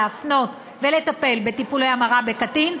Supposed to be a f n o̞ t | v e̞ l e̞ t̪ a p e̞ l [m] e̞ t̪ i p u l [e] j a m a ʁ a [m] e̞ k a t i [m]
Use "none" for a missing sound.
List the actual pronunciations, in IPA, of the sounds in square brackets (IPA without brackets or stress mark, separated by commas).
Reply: b, e, b, n